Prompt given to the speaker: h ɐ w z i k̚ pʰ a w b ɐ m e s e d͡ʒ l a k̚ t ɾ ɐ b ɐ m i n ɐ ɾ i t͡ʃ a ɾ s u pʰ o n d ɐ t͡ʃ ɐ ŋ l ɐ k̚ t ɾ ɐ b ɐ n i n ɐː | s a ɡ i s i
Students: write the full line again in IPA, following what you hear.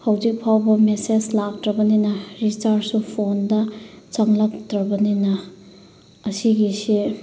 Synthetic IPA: h ɐ w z i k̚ pʰ a w b ɐ m e s e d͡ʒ l a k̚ t ɾ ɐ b ɐ n i n ɐ ɾ i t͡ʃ a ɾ s u pʰ o n d ɐ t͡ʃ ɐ ŋ l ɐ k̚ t ɾ ɐ b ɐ n i n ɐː | s i ɡ i s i

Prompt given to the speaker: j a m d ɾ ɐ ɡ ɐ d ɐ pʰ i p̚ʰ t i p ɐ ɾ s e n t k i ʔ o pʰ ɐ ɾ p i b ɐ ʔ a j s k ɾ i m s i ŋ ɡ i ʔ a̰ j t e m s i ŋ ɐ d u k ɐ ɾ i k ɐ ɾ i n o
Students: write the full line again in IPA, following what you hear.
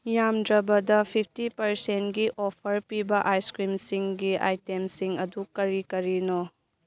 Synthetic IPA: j a m d ɾ ɐ b ɐ d ɐ pʰ i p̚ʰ t i p ɐ ɾ s e n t ɡ i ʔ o pʰ ɐ ɾ p i b ɐ ʔ a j s k ɾ i m s i ŋ ɡ i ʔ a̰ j t e m s i ŋ ɐ d u k ɐ ɾ i k ɐ ɾ i n o

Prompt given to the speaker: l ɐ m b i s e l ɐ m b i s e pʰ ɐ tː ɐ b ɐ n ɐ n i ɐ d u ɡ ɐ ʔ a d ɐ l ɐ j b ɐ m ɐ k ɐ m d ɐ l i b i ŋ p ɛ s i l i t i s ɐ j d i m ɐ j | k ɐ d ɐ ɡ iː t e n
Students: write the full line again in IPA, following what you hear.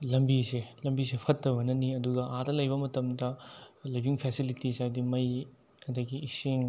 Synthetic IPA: l ɐ m b i s e l ɐ m b i s e pʰ ɐ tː ɐ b ɐ n ɐ n i ɐ d u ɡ ɐ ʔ a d ɐ l ɐ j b ɐ m ɐ t ɐ m d ɐ l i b i ŋ pʰ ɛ s i l i t i s a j d i m ɐ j | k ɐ d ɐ ɡ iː s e ŋ

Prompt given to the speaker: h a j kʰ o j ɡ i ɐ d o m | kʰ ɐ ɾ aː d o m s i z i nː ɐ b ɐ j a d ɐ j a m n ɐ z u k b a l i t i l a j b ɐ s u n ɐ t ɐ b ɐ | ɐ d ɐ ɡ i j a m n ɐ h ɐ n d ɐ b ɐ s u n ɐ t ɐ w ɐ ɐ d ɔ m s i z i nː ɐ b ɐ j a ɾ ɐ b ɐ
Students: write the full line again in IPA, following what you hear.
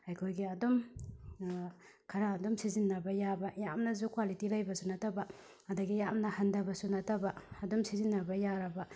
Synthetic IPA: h a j kʰ o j ɡ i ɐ d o m | kʰ ɐ ɾ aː d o m s i z i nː ɐ b ɐ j a b ɐ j a m n ɐ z u k w a l i t i l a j b ɐ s u n ɐ t ɐ b ɐ | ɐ d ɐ ɡ i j a m n ɐ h ɐ n d ɐ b ɐ s u n ɐ t ɐ b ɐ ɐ d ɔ m s i z i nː ɐ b ɐ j a ɾ ɐ b ɐ

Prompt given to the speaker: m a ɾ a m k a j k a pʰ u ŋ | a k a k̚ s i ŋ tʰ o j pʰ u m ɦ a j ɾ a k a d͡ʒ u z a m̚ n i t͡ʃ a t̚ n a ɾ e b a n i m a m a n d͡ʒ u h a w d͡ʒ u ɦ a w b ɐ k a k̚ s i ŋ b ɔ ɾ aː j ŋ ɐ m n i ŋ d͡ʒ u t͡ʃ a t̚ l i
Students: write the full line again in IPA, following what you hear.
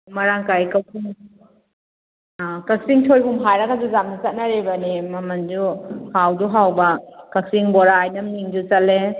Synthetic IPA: m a ɾ a ŋ k a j k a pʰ u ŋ | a k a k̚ s i ŋ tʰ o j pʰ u m ɦ a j ɾ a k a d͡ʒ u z a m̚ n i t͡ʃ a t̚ n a ɾ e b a n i m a m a n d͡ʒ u h a w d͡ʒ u ɦ a w b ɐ k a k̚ s i ŋ b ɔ ɾ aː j n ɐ m n i ŋ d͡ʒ u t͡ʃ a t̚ l e

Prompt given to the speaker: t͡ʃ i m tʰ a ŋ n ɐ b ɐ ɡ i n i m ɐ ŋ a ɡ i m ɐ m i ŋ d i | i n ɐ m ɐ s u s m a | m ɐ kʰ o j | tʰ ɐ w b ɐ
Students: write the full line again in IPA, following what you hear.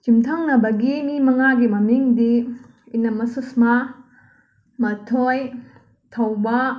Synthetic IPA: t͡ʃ i m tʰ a ŋ n ɐ b ɐ ɡ i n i m ɐ ŋ a ɡ i m ɐ m i ŋ d i | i n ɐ m ɐ s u s m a | m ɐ tʰ o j | tʰ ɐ w b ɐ

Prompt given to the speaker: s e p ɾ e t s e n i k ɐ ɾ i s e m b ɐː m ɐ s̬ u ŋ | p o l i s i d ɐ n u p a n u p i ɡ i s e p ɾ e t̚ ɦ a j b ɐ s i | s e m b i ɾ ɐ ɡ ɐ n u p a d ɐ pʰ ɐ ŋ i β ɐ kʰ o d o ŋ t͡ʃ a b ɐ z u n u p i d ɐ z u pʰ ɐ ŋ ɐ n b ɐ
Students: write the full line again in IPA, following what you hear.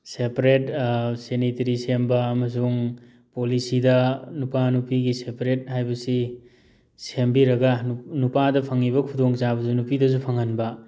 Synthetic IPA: s e p ɾ e t s e n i t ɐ ɾ i s e m b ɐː m ɐ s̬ u ŋ | p o l i s i d ɐ n u p a n u p i ɡ i s e p ɾ e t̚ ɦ a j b ɐ s i | s e m b i ɾ ɐ ɡ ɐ n u p a d ɐ pʰ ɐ ŋ i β ɐ kʰ u d o ŋ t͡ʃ a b ɐ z u n u p i d ɐ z u pʰ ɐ ŋ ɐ n b ɐ

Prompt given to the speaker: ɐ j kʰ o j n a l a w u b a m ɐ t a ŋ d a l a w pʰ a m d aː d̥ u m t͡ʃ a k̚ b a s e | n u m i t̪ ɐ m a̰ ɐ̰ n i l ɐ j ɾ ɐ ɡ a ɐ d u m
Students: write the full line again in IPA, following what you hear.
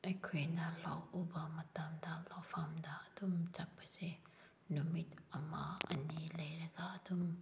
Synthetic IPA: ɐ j kʰ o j n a l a w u b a m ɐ t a m d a l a w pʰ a m d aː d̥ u m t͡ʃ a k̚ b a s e | n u m i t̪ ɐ m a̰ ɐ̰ n i l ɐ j ɾ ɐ ɡ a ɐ d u m

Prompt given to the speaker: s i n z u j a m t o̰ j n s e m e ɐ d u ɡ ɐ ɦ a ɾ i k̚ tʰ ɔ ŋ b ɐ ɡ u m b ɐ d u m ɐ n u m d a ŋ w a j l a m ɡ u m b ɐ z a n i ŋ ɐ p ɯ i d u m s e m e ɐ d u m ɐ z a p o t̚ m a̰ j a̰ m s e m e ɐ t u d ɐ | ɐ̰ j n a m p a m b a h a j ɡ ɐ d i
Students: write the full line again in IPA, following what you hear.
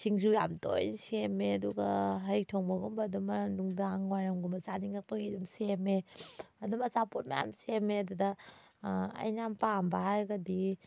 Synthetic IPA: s i ŋ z u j a m t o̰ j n s e m e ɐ d u ɡ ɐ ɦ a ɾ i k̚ tʰ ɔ ŋ b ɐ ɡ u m b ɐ d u m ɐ n u ŋ d a ŋ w a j ɾ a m ɡ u m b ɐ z a n i ŋ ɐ p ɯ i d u m s e m e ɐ d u m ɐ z a p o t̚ m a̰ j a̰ m s e m e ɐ d u d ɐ | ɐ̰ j n a m p a m b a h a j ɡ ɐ d i

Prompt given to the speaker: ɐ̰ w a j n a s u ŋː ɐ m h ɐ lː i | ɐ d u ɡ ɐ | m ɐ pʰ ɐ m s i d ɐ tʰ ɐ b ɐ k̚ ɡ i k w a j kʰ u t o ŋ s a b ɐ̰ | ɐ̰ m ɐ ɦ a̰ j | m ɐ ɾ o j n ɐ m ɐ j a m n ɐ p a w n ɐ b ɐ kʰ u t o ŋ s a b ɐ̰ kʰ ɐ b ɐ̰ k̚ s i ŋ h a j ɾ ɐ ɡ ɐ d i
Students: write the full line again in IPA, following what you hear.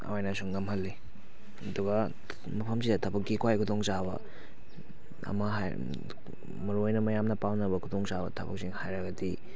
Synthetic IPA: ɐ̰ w a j n a s u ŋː ɐ m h ɐ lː i | ɐ d u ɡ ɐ | m ɐ pʰ ɐ m s i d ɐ tʰ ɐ b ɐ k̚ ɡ i k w a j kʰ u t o ŋ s a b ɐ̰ | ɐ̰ m ɐ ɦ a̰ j | m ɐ ɾ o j n ɐ m ɐ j a m n ɐ p a w n ɐ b ɐ kʰ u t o ŋ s a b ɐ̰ tʰ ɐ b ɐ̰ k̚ s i ŋ h a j ɾ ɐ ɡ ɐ d i

